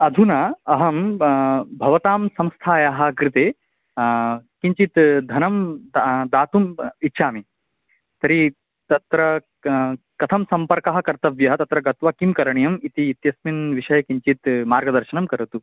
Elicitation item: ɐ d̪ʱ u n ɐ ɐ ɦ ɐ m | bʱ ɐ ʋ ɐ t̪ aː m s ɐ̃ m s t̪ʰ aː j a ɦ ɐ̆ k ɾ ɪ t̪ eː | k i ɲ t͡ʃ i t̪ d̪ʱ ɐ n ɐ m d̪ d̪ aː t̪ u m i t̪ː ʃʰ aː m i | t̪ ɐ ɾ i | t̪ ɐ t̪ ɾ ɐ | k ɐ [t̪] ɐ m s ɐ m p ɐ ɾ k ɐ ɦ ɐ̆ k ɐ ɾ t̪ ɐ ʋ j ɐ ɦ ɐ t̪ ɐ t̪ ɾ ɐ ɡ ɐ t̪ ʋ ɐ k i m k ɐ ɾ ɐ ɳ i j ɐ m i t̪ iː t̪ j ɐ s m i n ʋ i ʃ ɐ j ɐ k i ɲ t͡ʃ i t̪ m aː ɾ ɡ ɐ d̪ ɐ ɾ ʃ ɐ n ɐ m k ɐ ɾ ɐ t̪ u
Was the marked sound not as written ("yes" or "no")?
yes